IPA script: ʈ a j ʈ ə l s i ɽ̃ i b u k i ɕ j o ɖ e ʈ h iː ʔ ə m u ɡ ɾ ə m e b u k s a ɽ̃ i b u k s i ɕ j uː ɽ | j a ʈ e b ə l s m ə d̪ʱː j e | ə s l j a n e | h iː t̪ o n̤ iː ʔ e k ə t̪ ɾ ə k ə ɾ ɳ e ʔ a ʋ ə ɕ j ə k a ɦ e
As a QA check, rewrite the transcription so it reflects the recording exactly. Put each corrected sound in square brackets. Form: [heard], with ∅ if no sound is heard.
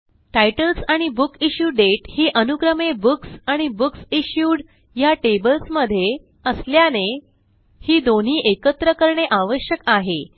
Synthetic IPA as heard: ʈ a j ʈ ə l s [a] ɽ̃ i b u k i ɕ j [u] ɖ e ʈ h iː ʔ ə [n] u ɡ ɾ ə m e b u k s a ɽ̃ i b u k s i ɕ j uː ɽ | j a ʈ e b ə l s m ə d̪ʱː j e | ə s l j a n e | h iː [d̪] o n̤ iː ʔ e k ə t̪ ɾ ə k ə ɾ ɳ e ʔ a ʋ ə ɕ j ə k a ɦ e